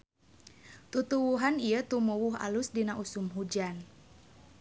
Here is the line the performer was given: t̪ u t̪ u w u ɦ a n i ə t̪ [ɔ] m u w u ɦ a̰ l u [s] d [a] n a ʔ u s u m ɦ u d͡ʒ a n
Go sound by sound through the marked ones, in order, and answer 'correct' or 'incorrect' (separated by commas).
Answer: incorrect, correct, incorrect